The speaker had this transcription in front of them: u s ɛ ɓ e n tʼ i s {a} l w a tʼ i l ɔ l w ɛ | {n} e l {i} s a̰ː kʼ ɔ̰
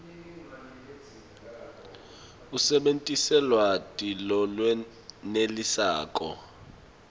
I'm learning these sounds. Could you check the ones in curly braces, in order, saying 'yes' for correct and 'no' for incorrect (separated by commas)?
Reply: no, yes, yes